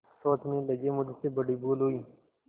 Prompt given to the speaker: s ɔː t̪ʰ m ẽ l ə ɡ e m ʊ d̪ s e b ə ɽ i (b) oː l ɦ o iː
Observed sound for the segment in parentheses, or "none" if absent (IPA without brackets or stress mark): b